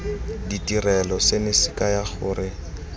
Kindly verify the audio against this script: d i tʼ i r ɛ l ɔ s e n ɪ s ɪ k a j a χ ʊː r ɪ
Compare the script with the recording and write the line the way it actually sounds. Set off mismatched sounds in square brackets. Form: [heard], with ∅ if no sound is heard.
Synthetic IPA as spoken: d i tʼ i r ɛ l ɔ s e n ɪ s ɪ k a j a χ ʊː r ɪ